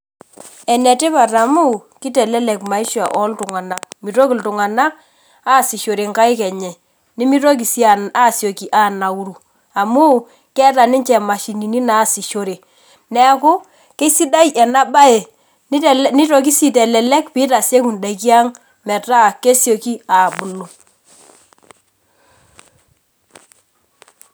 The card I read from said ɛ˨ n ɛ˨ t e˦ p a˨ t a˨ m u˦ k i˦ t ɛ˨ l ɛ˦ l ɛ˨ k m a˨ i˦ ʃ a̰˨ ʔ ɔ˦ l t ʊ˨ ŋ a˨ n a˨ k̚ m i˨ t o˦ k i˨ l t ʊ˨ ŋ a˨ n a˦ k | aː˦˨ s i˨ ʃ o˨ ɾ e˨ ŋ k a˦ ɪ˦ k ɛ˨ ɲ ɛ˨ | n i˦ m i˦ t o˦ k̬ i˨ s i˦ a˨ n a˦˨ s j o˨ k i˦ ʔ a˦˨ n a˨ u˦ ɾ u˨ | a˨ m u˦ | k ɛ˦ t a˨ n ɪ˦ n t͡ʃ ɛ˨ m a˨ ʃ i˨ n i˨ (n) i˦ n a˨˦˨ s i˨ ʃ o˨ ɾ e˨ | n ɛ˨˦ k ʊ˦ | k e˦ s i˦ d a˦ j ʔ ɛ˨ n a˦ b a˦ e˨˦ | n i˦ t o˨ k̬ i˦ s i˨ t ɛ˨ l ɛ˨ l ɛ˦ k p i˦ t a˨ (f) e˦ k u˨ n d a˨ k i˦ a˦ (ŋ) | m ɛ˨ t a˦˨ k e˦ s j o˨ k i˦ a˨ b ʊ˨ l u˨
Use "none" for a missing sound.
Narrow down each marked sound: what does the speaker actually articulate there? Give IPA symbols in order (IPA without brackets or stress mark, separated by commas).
n, s, ŋ